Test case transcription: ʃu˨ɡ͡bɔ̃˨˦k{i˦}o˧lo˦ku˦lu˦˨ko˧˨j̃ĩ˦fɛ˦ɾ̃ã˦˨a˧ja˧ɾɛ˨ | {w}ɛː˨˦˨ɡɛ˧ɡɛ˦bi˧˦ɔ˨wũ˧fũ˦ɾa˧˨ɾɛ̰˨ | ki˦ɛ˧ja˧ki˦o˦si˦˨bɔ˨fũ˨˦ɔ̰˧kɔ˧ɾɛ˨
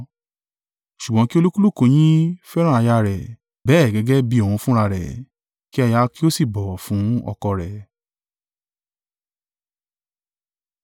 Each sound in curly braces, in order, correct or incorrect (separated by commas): correct, incorrect